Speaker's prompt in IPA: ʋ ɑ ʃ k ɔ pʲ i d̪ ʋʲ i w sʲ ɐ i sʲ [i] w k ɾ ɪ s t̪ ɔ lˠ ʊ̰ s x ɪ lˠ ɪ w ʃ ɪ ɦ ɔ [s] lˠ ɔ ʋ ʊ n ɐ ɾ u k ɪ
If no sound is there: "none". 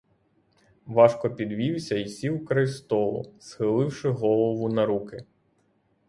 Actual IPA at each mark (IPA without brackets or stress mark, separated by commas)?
i, none